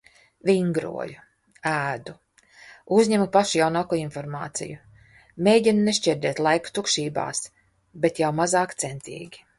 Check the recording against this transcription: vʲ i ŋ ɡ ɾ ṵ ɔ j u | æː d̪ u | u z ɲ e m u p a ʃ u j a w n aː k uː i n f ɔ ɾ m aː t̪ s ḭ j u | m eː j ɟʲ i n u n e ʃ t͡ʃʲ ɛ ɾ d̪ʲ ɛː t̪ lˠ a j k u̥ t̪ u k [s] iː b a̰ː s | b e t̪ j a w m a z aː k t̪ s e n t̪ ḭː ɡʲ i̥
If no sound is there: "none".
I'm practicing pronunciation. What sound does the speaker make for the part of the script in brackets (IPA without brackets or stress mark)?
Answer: ʃ